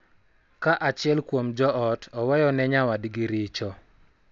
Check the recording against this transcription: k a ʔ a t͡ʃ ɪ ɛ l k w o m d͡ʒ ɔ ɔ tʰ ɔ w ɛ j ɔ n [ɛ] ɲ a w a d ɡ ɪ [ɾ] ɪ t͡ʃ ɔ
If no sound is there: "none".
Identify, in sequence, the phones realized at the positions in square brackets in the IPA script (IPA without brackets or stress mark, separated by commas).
ɛ, ɾ